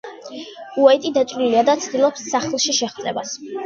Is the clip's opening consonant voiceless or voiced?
voiceless